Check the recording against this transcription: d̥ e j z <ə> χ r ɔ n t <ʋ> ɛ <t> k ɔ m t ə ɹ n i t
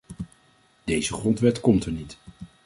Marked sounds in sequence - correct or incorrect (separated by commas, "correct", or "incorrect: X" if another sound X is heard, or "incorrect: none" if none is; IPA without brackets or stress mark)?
correct, correct, correct